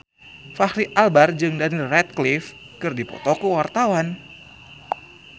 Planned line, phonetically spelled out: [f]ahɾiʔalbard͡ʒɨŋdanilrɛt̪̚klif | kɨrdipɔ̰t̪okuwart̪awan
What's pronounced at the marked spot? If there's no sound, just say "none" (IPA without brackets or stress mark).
f